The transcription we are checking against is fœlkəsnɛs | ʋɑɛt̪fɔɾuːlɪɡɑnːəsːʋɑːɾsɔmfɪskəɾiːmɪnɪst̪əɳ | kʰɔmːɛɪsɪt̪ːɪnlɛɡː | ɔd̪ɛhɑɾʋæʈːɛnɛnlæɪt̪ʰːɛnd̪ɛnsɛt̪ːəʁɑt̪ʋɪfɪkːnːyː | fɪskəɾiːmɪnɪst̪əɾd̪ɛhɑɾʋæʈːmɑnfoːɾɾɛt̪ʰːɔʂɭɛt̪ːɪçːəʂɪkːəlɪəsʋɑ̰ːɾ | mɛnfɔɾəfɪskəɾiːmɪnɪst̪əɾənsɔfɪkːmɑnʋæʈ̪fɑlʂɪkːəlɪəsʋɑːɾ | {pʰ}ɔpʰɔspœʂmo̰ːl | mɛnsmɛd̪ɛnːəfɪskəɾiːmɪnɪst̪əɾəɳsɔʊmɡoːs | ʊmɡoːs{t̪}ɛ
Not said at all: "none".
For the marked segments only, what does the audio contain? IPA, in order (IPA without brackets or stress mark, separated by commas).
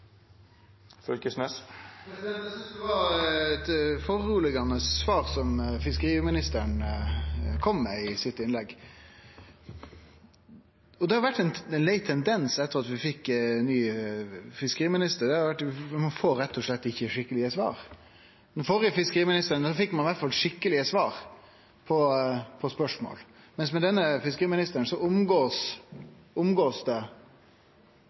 pʰ, d̪